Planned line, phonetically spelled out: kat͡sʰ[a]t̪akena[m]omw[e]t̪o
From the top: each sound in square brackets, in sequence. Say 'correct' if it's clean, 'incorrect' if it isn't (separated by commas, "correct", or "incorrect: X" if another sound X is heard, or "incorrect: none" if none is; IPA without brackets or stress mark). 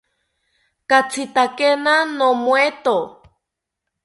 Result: incorrect: i, incorrect: n, correct